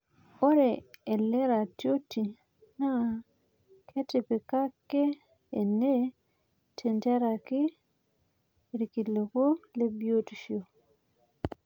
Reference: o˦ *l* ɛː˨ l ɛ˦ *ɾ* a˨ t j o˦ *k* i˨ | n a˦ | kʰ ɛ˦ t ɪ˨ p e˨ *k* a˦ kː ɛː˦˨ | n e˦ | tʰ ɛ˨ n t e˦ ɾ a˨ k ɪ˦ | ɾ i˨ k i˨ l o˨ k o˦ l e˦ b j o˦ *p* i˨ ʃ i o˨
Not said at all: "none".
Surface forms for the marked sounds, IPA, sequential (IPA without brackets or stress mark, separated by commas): ɾ, ɾ, t, k, t